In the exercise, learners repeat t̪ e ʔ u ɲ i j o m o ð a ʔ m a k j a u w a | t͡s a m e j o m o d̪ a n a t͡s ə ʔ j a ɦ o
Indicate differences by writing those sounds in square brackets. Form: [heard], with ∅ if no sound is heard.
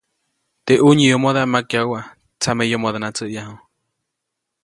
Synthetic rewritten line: t̪ e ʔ u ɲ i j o m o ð a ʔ m a k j a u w a | t͡s a m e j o m o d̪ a n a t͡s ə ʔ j a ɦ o